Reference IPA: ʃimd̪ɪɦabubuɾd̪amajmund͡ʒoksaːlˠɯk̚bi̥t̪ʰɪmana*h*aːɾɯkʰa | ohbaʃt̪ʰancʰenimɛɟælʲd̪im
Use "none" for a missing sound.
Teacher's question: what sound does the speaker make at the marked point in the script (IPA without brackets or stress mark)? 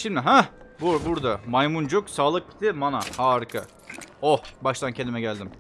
h